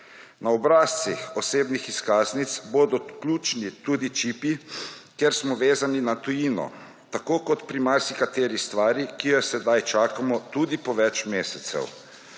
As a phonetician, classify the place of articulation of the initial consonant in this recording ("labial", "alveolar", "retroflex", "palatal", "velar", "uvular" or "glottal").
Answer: alveolar